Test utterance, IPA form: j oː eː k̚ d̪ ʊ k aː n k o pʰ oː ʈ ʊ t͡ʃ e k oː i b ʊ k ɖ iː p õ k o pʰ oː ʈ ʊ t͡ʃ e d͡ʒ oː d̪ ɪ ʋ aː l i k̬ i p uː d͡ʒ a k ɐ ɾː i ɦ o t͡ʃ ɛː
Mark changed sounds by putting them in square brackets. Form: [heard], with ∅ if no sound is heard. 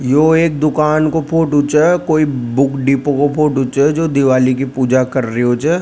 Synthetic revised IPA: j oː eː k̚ d̪ ʊ k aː n k o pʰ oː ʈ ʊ t͡ʃ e k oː i b ʊ k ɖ iː p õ k o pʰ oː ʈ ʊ t͡ʃ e d͡ʒ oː d̪ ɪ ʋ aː l i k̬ i p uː d͡ʒ a k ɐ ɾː i ɦ o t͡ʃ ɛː